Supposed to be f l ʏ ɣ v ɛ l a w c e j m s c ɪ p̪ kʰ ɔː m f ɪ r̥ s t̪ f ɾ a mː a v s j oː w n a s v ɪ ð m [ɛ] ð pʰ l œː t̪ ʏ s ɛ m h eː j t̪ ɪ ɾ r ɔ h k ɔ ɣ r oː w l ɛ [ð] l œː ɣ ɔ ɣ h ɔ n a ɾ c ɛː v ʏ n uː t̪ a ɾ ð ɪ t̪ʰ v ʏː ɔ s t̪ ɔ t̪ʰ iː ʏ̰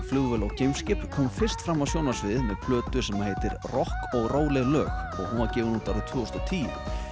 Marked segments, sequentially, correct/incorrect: correct, incorrect

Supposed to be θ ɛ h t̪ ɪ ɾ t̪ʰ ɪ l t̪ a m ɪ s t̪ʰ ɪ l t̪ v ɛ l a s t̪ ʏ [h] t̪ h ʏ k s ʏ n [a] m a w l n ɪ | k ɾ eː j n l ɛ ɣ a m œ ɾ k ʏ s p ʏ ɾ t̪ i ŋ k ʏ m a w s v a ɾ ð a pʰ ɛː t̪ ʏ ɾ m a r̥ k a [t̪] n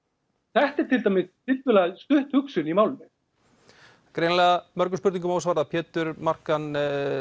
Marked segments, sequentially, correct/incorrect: correct, incorrect, incorrect

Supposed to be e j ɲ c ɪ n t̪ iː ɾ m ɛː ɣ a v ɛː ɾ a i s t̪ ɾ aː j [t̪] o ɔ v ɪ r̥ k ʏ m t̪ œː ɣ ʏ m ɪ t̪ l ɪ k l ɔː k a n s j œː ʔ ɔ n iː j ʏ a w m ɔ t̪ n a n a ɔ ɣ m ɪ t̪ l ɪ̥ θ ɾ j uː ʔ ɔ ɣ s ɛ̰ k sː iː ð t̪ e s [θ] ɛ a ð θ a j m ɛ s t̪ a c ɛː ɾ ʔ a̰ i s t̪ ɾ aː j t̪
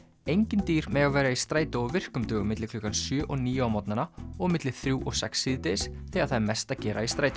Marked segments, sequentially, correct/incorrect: correct, correct

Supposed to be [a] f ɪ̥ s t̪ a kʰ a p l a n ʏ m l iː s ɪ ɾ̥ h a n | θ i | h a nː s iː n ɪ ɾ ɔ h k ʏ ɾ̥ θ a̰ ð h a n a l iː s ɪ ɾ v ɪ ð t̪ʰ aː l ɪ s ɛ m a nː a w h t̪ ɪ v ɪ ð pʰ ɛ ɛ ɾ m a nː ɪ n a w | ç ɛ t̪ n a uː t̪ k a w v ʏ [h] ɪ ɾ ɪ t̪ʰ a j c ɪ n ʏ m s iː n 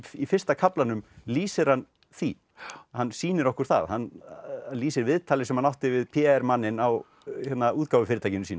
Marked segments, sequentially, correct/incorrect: incorrect, incorrect

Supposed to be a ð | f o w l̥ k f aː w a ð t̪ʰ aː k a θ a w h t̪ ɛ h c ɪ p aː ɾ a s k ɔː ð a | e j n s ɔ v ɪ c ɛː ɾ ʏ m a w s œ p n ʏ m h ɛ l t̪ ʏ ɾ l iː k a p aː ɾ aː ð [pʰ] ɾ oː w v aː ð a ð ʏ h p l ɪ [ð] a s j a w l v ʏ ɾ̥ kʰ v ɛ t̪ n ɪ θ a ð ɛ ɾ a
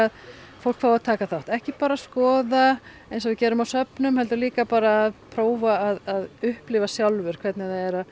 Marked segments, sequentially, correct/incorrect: correct, incorrect

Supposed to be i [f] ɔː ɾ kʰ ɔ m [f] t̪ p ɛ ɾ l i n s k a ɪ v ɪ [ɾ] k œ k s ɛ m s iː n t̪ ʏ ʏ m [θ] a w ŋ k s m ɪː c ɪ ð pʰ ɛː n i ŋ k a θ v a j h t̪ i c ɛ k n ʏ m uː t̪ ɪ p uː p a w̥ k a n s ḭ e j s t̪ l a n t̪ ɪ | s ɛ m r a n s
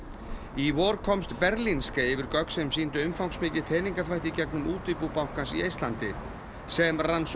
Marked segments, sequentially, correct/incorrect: incorrect, incorrect, correct, incorrect

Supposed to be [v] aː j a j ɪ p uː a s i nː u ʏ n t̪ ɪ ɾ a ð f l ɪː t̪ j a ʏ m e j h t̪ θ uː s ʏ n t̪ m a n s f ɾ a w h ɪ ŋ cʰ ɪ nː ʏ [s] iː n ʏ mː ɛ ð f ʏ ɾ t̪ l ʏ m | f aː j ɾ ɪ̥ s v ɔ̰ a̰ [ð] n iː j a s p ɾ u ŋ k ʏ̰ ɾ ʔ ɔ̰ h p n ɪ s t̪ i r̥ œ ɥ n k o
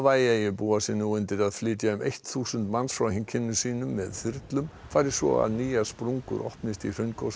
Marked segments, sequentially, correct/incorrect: correct, correct, correct

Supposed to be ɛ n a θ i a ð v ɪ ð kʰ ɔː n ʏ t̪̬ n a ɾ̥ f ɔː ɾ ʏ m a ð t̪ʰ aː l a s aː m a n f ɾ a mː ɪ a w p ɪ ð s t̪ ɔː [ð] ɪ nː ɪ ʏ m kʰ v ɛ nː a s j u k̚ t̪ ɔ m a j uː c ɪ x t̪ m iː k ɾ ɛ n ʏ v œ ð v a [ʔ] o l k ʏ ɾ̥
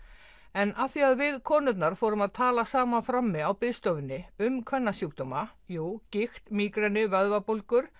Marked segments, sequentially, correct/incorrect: incorrect, incorrect

